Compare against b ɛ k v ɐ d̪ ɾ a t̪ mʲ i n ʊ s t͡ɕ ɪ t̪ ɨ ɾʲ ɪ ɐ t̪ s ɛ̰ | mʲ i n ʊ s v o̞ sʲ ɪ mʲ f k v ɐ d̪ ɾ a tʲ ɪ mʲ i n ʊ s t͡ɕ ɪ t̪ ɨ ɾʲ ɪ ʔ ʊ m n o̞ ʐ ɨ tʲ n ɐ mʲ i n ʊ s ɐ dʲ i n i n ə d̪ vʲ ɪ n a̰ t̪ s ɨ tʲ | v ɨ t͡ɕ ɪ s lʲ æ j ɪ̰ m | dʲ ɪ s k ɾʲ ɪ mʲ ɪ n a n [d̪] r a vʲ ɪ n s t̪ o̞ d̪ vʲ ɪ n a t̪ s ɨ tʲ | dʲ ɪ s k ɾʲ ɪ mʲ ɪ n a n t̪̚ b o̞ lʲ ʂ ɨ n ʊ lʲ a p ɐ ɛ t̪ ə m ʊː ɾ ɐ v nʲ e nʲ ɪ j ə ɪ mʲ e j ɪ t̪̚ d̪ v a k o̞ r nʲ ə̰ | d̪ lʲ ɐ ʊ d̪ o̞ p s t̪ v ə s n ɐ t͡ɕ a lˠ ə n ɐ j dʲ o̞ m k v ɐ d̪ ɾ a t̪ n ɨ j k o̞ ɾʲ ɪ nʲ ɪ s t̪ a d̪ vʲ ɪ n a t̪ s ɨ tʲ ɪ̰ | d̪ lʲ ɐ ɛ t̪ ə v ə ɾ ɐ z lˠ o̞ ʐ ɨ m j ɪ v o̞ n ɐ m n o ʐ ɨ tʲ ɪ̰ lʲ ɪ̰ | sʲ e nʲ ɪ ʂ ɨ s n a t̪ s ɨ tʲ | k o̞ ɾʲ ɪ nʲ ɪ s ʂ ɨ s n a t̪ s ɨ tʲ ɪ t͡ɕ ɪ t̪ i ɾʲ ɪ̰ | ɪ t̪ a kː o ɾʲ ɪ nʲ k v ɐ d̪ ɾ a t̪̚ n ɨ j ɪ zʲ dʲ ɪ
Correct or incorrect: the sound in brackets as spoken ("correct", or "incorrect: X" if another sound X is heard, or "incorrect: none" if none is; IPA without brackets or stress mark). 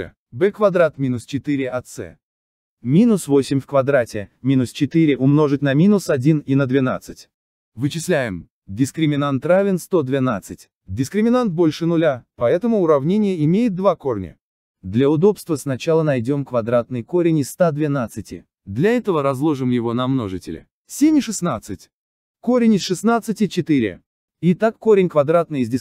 incorrect: t̪